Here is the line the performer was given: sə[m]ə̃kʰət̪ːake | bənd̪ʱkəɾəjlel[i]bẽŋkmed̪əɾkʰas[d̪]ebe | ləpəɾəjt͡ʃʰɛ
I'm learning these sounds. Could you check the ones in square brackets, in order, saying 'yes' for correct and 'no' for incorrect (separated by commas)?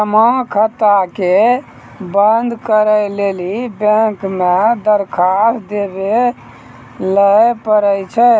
yes, yes, yes